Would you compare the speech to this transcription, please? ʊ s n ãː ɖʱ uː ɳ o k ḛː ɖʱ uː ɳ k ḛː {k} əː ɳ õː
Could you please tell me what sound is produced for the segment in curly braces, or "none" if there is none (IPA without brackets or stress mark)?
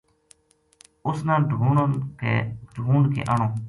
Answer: ʔ